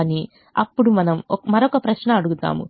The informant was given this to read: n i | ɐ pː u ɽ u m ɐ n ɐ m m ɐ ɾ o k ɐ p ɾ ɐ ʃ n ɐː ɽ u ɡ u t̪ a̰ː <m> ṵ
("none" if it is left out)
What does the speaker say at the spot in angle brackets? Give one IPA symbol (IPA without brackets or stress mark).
m